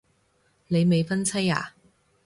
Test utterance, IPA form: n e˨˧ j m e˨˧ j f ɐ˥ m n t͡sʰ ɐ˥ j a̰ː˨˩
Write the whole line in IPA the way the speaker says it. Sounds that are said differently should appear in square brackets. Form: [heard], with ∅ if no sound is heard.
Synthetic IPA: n e˨˧ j m e˨˧ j f ɐ˥ [∅] n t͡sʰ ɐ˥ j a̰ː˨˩